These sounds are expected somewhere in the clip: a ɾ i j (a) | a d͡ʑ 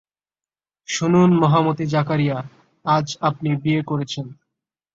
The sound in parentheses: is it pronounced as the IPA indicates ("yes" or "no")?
yes